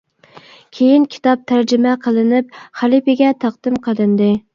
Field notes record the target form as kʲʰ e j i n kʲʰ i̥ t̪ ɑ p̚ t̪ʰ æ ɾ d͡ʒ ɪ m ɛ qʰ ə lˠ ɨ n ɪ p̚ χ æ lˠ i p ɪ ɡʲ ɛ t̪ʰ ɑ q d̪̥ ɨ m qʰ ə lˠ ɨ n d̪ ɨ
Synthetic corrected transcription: kʲʰ e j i n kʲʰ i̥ t̪ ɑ p̚ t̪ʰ æ ɾ d͡ʒ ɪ m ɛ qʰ ə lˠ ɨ n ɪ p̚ χ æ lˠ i p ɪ ɡʲ ɛ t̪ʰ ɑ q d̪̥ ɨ m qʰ ə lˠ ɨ n d̪ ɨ